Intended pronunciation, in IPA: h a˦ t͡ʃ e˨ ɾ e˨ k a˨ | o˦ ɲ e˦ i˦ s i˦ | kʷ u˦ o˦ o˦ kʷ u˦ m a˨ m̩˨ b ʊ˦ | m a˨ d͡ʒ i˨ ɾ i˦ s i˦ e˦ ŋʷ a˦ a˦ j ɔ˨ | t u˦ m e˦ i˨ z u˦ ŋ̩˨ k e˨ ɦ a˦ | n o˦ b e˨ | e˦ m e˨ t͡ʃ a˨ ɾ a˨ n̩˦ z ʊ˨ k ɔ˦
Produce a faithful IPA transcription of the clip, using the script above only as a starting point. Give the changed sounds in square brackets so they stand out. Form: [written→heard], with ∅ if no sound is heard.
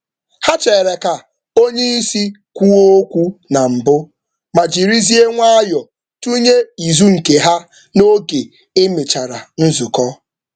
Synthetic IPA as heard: h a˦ t͡ʃ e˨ ɾ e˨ k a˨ | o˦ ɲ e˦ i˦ s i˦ | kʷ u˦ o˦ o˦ kʷ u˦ [m→n] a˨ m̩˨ b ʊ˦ | m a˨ d͡ʒ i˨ ɾ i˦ [s→z] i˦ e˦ ŋʷ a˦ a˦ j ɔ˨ | t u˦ [m→ɲ] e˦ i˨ z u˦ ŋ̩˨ k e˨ ɦ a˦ | n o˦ [b→ɡ] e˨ | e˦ m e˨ t͡ʃ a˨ ɾ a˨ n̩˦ z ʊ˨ k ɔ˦